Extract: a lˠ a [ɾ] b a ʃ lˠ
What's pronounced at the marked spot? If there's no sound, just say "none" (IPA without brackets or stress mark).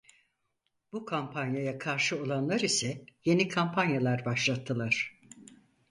ɾ